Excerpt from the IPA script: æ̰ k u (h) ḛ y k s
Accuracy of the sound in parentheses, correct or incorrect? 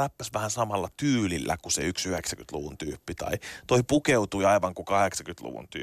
incorrect